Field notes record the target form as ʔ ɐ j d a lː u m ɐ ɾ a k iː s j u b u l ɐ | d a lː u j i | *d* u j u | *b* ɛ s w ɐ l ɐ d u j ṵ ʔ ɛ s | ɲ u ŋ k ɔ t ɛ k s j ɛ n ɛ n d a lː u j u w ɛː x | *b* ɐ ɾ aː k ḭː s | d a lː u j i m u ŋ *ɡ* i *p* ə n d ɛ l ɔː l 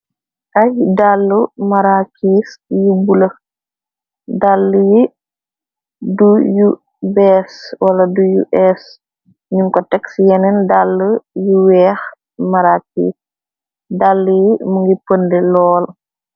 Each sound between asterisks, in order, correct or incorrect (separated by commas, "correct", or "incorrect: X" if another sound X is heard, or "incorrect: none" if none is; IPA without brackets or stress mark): correct, correct, incorrect: m, correct, correct